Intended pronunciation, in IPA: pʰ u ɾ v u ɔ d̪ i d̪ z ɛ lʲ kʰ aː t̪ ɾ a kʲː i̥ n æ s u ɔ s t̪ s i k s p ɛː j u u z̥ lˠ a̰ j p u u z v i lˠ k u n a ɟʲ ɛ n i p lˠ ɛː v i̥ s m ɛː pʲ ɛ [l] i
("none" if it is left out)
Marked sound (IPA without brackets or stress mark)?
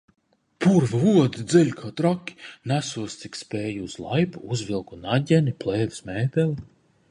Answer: l